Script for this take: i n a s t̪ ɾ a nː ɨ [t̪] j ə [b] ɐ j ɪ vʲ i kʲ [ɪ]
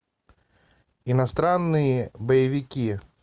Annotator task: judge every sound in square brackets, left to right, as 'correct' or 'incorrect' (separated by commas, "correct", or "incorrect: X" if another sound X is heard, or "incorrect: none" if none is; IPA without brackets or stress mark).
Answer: incorrect: none, correct, incorrect: i